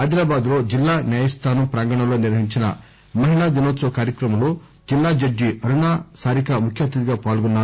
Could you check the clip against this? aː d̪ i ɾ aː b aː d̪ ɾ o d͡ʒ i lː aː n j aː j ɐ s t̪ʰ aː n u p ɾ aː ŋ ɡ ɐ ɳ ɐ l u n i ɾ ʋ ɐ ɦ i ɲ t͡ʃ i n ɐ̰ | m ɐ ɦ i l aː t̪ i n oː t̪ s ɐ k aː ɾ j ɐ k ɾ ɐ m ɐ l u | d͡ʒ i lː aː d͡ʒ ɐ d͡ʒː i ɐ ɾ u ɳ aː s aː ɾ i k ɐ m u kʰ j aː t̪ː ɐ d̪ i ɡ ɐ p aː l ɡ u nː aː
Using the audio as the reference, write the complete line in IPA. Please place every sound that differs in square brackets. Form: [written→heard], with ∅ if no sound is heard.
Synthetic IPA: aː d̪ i ɾ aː b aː d̪ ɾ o d͡ʒ i lː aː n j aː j ɐ s t̪ʰ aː n u p ɾ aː ŋ ɡ ɐ ɳ ɐ l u n i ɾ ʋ ɐ ɦ i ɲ t͡ʃ i n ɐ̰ | m ɐ ɦ i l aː [t̪→d̪] i n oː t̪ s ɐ k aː ɾ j ɐ k ɾ ɐ m ɐ l u | d͡ʒ i lː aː d͡ʒ ɐ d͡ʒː i ɐ ɾ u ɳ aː s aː ɾ i k ɐ m u kʰ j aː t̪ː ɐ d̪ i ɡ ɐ p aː l ɡ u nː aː